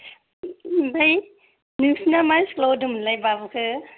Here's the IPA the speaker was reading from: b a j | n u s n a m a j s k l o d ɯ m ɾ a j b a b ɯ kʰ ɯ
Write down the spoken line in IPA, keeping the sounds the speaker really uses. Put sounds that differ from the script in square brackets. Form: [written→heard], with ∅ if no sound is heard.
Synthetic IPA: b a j | n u s n a m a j s k l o d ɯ m [ɾ→l] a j b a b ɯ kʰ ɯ